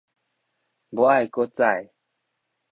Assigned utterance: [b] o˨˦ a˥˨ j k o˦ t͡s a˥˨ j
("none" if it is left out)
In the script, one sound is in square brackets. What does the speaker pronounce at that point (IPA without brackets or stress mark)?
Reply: b